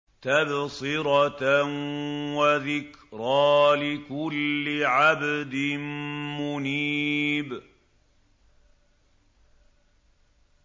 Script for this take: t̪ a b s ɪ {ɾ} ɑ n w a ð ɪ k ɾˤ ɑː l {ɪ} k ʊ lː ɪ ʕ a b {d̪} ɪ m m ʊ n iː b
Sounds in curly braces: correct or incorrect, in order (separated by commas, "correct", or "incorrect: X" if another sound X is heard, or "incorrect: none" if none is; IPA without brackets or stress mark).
correct, correct, correct